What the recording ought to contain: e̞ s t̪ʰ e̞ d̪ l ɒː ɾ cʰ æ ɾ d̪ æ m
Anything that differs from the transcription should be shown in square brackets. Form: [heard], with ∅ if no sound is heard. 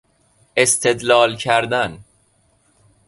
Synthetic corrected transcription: e̞ s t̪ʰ e̞ d̪ l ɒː [l] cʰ æ ɾ d̪ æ [n]